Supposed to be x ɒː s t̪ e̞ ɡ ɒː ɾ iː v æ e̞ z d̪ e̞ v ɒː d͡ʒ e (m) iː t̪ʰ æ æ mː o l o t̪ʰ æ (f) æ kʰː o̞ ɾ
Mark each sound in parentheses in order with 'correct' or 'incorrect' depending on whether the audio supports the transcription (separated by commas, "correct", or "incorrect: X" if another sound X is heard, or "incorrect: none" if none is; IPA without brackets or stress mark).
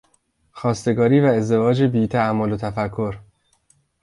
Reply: incorrect: b, correct